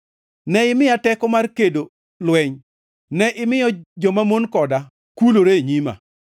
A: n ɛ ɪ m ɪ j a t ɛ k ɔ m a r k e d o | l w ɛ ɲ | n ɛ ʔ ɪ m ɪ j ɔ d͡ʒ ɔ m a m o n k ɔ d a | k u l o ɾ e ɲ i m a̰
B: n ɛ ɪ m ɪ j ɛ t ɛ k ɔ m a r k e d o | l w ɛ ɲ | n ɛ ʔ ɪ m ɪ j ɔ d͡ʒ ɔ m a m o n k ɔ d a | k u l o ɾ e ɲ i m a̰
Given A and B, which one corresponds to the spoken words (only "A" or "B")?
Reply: A